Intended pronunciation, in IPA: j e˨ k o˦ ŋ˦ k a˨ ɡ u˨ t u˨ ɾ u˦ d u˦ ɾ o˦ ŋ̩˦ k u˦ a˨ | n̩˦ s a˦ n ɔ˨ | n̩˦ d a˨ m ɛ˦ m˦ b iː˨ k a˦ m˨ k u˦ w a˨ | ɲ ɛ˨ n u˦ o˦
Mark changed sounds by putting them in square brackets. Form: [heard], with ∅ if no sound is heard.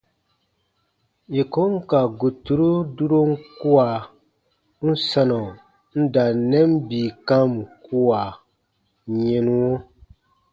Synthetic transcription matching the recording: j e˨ k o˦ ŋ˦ k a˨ ɡ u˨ t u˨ ɾ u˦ d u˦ ɾ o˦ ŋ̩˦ k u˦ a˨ | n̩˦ s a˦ n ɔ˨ | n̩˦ d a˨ [n] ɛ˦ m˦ b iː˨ k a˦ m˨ k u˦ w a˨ | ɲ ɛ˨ n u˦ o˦